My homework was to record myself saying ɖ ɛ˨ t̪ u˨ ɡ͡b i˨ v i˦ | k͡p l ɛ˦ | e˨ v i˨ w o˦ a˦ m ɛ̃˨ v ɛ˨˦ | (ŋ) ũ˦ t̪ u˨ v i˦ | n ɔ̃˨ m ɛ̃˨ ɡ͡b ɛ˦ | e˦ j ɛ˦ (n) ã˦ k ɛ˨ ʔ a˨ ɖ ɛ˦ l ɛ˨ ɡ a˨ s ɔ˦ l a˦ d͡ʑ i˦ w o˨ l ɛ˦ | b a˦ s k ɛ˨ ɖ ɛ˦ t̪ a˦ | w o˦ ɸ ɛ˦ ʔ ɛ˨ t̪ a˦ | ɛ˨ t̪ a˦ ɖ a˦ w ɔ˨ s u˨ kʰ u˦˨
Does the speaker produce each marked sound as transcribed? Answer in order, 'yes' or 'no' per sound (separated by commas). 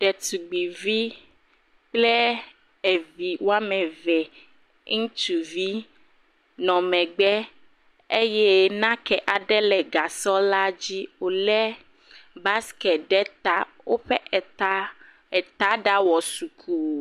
yes, yes